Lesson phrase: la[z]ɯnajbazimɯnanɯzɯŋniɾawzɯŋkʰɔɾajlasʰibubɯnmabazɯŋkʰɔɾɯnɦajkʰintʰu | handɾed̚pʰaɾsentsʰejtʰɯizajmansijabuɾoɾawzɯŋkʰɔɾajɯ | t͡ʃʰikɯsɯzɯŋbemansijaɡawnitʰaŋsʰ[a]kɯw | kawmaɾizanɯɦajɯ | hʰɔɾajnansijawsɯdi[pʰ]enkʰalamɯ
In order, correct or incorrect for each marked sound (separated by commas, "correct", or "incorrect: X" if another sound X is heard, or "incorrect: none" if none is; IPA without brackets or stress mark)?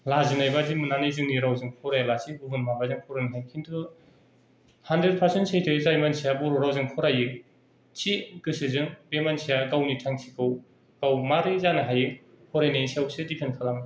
correct, incorrect: i, correct